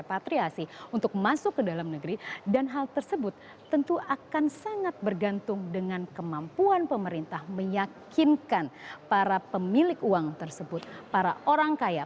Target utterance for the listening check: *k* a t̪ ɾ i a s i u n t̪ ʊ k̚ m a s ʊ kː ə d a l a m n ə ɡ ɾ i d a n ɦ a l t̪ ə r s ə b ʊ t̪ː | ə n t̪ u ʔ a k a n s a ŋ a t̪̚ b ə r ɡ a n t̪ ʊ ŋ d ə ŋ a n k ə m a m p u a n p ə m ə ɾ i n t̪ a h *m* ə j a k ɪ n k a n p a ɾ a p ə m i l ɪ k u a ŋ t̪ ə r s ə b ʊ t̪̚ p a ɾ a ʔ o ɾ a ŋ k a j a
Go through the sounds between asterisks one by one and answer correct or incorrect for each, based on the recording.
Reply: incorrect: p, correct

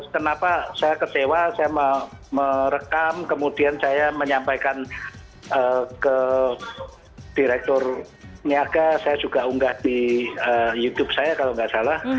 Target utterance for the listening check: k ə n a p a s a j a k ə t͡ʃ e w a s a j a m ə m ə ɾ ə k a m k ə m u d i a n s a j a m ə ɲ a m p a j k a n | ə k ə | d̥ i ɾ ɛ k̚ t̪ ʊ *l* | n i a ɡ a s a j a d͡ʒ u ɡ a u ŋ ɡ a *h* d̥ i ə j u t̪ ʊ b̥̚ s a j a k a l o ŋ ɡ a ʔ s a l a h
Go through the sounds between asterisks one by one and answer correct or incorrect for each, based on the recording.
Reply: incorrect: r, correct

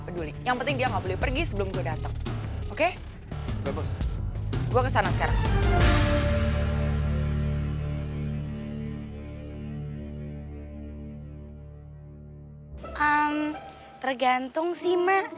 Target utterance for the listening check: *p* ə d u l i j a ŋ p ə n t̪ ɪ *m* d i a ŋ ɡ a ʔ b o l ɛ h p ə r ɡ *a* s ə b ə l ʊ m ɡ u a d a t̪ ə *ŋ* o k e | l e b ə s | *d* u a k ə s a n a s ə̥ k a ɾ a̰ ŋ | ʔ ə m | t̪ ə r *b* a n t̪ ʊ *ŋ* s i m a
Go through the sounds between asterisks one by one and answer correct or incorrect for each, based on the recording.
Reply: correct, incorrect: ŋ, incorrect: i, correct, incorrect: ɡ, incorrect: ɡ, correct

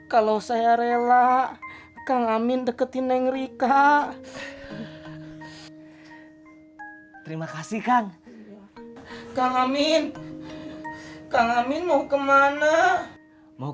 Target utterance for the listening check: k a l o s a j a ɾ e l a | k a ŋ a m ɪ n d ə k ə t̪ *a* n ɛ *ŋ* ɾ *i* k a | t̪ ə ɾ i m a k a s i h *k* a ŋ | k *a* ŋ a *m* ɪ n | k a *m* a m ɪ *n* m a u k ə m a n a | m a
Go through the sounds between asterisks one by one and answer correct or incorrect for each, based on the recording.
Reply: incorrect: i, correct, correct, correct, correct, correct, incorrect: ŋ, correct

